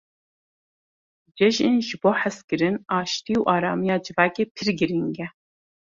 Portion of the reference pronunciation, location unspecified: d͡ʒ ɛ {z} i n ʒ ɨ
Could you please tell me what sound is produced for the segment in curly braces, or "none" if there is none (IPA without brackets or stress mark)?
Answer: ʒ